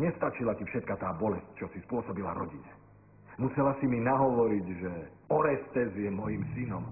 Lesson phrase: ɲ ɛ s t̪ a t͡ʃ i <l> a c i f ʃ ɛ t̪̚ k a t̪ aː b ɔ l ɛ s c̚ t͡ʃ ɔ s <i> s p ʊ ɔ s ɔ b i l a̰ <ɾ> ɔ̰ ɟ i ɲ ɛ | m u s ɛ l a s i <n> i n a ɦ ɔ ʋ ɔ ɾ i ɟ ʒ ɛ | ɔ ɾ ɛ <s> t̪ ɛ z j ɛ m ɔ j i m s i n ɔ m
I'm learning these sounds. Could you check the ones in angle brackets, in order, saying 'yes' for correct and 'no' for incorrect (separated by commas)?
yes, yes, yes, no, yes